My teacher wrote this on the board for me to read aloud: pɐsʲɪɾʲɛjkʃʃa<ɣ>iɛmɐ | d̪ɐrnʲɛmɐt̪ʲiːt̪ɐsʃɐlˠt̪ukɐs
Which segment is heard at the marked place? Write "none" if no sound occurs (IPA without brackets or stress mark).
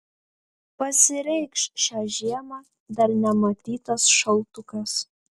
ʒ